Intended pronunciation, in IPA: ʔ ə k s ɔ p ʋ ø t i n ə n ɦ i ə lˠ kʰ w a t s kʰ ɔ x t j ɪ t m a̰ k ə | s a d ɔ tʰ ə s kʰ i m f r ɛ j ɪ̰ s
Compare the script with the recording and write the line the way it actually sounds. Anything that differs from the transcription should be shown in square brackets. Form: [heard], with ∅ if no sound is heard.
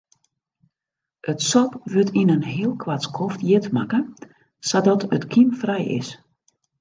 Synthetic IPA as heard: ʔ ə [t] s ɔ p ʋ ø t i n ə n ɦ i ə lˠ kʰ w a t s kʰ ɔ [f] t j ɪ t m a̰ k ə | s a d ɔ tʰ ə [t] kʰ i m f r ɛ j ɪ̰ s